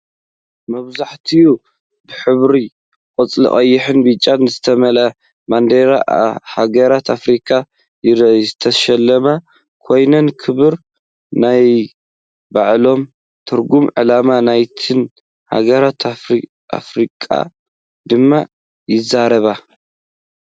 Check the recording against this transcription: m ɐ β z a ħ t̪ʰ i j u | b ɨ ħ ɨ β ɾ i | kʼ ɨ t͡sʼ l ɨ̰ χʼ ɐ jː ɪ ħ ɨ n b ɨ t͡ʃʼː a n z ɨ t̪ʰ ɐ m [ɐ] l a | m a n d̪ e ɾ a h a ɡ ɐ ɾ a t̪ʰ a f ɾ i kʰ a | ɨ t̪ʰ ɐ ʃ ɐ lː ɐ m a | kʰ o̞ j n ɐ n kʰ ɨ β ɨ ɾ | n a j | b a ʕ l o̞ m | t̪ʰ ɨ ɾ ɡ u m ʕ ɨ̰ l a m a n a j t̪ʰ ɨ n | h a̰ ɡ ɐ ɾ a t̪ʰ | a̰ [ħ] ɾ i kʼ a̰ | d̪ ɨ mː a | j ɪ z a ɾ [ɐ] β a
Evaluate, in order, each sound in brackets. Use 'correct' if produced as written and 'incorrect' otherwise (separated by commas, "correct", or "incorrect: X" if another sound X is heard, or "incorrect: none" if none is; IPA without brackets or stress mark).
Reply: correct, incorrect: f, correct